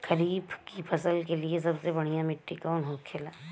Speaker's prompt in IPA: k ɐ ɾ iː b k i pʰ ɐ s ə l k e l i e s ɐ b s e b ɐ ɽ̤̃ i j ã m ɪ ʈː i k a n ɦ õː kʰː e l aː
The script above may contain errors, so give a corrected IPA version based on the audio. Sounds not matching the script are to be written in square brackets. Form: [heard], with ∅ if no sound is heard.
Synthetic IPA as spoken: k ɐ ɾ iː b k i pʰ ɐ s ə l k e l i e s ɐ b s e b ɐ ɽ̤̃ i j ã m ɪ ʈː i k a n ɦ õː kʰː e l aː